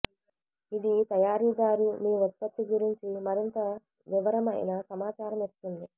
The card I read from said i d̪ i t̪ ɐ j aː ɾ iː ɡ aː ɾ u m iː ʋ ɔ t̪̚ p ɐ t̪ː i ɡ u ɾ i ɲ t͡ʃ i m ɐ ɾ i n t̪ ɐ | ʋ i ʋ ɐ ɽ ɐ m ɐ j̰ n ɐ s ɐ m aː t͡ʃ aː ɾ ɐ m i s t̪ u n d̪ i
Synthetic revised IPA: i d̪ i t̪ ɐ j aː ɾ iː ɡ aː ɾ u m iː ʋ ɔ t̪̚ p ɐ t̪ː i ɡ u ɾ i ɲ t͡ʃ i m ɐ ɾ i n t̪ ɐ | ʋ i ʋ ɐ ɾ ɐ m ɐ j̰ n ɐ s ɐ m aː t͡ʃ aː ɾ ɐ m i s t̪ u n d̪ i